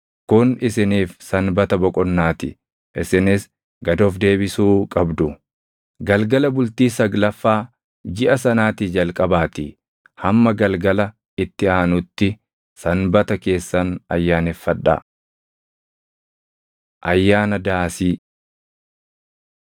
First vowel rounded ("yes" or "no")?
yes